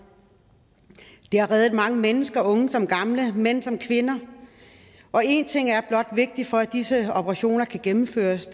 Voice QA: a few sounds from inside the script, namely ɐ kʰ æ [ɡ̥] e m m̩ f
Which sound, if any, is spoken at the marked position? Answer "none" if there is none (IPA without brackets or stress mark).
ɡ̥